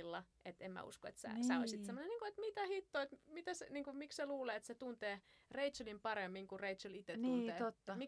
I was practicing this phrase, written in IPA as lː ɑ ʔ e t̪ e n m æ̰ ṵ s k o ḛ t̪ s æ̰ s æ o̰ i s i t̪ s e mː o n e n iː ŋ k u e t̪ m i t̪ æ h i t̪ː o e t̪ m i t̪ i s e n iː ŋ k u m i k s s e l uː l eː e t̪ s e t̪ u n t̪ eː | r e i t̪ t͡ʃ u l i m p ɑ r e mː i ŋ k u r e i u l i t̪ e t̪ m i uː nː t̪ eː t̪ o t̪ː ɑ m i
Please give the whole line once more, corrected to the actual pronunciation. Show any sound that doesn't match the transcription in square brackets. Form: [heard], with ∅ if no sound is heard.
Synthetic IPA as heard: lː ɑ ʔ e t̪ e [m] m æ̰ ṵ s k o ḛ t̪ s æ̰ s æ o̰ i s i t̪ s e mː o n e n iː ŋ k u e t̪ m i t̪ æ h i t̪ː o e t̪ m i t̪ [æ] s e n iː ŋ k u m i k s s e l uː l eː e t̪ s e t̪ u n t̪ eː | r e i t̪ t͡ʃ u l i m p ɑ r e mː i ŋ k u r e i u l i t̪ e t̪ [n] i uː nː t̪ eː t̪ o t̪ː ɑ m i